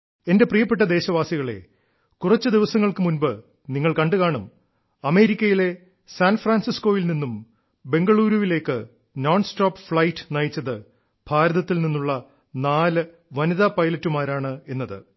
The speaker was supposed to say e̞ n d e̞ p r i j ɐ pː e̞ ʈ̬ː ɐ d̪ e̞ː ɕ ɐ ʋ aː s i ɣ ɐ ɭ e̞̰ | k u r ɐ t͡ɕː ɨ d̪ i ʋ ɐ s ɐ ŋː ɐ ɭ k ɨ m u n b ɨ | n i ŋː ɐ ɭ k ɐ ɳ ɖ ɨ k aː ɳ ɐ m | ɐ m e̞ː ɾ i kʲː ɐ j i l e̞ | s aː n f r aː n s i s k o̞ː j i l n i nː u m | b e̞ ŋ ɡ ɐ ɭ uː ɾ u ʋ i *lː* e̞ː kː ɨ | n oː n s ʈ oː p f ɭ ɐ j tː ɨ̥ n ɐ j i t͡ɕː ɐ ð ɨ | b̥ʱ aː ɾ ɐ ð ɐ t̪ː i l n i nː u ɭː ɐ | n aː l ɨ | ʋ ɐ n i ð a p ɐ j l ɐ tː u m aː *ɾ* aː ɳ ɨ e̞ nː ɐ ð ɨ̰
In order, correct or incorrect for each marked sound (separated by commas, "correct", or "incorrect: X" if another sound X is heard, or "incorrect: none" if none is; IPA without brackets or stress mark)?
incorrect: l, correct